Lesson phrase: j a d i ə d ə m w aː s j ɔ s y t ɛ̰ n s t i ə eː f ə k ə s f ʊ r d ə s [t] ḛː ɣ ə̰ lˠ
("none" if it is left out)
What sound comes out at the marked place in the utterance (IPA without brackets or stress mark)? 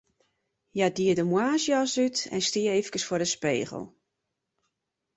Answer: p